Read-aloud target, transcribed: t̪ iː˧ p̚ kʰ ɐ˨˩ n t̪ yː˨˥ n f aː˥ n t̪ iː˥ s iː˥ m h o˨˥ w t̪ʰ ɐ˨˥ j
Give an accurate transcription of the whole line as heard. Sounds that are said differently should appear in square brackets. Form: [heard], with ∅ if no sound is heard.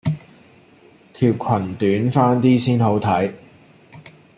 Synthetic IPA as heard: [t̪ʰ] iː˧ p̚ kʰ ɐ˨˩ n t̪ yː˨˥ n f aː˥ n t̪ iː˥ s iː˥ [n] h o˨˥ w t̪ʰ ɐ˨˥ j